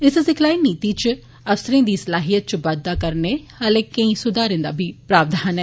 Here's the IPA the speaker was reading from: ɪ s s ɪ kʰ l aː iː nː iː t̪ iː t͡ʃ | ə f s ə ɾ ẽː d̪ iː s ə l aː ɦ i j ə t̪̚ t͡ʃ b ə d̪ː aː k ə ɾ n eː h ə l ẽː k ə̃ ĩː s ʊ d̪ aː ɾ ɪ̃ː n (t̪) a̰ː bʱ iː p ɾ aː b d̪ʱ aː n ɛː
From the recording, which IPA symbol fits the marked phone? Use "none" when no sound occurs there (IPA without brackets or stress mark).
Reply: d̪